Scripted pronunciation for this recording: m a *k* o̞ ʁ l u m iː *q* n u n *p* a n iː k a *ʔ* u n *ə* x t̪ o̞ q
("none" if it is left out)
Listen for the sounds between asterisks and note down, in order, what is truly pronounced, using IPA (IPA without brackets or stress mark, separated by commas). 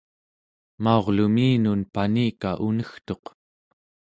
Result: none, none, p, ʔ, ə